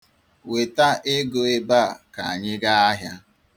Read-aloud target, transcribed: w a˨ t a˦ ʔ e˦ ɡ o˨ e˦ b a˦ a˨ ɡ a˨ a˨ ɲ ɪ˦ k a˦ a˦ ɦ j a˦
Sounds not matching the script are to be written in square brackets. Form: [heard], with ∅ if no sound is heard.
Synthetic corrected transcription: w [e˨] t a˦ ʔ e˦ ɡ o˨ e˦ b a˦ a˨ [k] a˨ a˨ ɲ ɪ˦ [ɡ] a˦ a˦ ɦ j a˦